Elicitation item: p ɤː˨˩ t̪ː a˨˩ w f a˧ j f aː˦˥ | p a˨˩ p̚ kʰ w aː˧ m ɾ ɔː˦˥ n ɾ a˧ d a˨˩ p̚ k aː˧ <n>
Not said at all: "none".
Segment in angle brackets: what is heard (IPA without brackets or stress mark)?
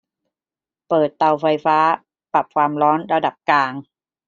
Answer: ŋ